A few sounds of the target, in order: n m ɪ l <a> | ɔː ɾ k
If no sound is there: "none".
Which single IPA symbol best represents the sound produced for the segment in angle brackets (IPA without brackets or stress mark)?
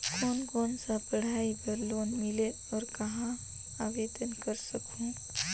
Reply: e